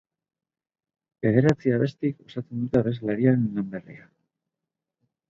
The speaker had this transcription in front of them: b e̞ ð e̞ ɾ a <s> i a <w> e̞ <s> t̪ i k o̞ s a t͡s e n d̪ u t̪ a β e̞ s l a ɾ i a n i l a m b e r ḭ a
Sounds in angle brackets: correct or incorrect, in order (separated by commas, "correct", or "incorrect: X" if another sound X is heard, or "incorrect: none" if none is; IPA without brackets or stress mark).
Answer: incorrect: t͡s, incorrect: β, correct